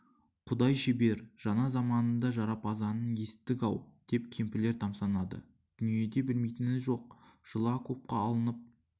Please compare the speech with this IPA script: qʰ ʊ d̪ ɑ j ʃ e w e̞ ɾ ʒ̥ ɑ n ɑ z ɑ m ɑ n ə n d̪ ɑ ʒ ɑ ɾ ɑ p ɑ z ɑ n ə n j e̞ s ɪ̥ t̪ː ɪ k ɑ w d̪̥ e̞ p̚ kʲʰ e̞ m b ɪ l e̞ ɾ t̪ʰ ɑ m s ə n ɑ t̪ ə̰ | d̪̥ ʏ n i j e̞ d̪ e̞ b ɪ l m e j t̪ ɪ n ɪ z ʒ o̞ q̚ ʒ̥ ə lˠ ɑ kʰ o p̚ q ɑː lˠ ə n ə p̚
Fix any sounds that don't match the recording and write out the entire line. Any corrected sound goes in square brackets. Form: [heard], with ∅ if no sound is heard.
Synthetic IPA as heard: qʰ ʊ d̪ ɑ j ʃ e [b] e̞ ɾ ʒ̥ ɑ n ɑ z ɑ m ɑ n ə n d̪ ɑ ʒ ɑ ɾ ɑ p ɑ z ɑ n ə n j e̞ s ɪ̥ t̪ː ɪ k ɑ w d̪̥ e̞ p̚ kʲʰ e̞ m [p] ɪ l e̞ ɾ t̪ʰ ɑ m s [ɑ] n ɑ [d̪] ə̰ | d̪̥ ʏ n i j e̞ d̪ e̞ b ɪ l m e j t̪ ɪ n ɪ z ʒ o̞ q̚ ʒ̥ ə lˠ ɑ kʰ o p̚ q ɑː lˠ ə n ə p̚